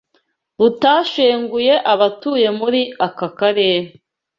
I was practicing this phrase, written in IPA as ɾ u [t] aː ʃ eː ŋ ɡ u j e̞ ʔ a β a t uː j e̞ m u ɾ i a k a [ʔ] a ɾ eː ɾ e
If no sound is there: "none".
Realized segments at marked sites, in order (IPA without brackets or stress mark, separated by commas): t, k